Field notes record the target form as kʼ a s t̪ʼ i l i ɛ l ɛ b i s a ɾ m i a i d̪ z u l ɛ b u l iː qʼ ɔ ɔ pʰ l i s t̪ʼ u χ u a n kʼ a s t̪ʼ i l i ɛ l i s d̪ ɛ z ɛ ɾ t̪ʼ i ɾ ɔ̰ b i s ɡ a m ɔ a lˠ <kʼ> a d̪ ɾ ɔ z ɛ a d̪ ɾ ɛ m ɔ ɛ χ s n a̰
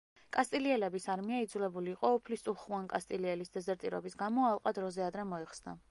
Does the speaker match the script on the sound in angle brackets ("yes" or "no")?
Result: no